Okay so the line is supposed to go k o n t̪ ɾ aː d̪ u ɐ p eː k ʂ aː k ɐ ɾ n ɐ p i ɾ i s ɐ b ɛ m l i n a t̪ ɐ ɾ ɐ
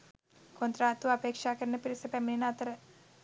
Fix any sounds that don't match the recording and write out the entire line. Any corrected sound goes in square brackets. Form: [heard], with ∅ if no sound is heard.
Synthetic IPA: k o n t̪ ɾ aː [t̪] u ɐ p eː k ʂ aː k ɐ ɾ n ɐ p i ɾ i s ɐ [p] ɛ m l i n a t̪ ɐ ɾ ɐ